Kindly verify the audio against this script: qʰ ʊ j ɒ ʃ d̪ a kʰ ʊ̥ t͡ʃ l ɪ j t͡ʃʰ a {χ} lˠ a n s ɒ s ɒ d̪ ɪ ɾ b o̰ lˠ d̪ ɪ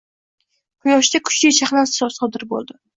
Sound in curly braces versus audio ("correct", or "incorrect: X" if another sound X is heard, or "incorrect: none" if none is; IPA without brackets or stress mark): correct